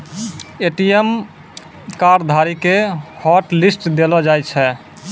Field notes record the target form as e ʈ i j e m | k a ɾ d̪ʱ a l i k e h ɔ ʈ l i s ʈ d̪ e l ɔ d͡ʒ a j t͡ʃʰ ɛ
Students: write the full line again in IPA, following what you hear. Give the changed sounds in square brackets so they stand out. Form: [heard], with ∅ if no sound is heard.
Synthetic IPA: e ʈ i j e m | k a ɾ d̪ʱ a [ɾ] i k e h ɔ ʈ l i s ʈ d̪ e l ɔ d͡ʒ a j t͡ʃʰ ɛ